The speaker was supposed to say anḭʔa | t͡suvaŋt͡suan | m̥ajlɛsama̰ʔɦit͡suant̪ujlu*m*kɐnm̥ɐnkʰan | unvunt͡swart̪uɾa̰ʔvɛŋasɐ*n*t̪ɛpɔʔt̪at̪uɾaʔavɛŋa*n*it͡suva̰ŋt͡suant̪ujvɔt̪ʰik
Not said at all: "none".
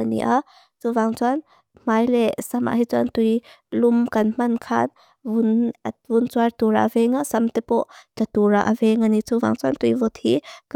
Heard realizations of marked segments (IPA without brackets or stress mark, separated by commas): m, m, n